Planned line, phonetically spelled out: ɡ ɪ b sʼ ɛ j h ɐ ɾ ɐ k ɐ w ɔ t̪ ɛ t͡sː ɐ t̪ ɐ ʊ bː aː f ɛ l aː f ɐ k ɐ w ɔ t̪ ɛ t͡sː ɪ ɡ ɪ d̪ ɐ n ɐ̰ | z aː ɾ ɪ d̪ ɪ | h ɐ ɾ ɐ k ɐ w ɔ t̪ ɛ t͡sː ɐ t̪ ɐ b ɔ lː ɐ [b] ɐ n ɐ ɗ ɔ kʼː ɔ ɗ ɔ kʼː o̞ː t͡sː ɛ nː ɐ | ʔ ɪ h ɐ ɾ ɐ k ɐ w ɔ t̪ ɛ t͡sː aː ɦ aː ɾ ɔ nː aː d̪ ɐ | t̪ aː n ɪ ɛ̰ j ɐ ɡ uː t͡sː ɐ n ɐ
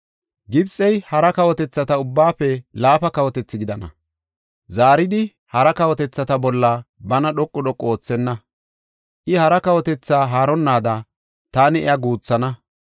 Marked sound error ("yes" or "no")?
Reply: no